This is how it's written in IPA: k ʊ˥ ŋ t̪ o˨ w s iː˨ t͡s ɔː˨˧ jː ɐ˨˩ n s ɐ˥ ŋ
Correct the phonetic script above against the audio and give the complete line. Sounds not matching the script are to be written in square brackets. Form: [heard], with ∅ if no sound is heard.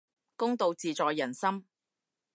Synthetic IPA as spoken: k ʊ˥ ŋ t̪ o˨ w [t͡s] iː˨ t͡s ɔː˨˧ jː ɐ˨˩ n s ɐ˥ [m]